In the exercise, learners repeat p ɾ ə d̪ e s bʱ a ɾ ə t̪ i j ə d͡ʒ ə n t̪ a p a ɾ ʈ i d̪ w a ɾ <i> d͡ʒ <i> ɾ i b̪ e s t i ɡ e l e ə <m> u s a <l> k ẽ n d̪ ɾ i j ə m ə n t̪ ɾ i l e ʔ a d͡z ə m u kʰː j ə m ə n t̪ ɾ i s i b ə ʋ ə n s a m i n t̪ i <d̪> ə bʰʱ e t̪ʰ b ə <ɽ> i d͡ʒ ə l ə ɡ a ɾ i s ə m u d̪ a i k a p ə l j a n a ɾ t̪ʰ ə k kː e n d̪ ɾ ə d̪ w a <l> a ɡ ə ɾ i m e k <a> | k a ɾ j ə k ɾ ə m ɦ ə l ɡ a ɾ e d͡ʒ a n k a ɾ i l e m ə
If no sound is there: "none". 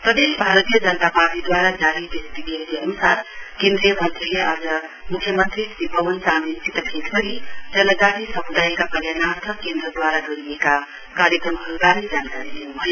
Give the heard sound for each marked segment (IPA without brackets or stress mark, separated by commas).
a, a, n, ɾ, t̪, ɾ, ɾ, a